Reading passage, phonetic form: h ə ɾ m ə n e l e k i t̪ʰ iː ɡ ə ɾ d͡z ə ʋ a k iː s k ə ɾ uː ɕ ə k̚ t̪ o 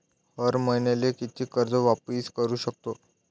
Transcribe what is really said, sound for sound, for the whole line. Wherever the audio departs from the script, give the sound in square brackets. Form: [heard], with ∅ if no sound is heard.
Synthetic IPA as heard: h ə ɾ m ə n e l e k i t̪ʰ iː [k] ə ɾ d͡z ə ʋ a [p] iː s k ə ɾ uː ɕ ə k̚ t̪ o